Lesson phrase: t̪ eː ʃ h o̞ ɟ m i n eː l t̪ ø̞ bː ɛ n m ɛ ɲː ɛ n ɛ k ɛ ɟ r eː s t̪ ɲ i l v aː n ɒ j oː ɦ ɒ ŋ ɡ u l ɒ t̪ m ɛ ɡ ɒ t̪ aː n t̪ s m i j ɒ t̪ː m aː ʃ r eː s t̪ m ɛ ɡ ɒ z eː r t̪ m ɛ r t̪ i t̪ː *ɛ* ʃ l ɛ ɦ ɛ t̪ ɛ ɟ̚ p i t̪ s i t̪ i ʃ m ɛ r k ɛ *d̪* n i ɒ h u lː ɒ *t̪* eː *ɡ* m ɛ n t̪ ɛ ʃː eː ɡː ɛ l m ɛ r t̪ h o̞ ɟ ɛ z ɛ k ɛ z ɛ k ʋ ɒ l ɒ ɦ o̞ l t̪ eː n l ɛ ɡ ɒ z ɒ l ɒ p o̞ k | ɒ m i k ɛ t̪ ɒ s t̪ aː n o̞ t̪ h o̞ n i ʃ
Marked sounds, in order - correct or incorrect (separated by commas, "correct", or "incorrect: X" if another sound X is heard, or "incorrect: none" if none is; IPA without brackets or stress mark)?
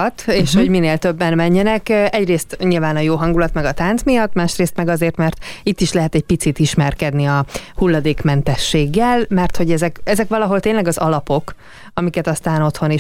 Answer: incorrect: i, correct, incorrect: d̪, incorrect: k